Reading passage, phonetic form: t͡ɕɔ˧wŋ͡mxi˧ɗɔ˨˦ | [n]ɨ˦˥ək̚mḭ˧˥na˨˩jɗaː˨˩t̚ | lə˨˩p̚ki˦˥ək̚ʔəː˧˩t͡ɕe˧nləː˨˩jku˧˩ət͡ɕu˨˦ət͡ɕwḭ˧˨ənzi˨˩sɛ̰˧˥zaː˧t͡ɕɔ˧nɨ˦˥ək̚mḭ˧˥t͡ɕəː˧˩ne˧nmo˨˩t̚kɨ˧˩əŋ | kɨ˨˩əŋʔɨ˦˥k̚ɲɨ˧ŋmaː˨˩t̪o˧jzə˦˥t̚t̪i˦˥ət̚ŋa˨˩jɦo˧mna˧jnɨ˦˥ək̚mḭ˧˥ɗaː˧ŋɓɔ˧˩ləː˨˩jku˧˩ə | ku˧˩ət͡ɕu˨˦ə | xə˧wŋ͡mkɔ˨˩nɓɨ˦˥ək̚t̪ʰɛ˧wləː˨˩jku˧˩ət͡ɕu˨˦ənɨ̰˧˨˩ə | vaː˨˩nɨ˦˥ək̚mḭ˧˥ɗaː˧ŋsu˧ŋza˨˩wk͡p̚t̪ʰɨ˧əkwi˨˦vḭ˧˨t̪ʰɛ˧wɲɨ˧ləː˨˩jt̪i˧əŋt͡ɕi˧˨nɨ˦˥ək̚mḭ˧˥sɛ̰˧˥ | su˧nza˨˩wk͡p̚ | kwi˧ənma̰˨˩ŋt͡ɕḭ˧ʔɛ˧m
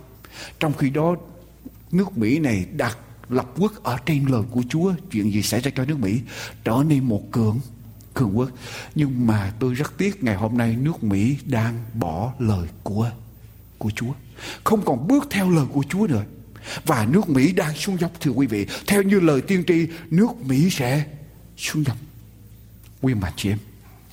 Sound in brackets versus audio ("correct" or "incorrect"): correct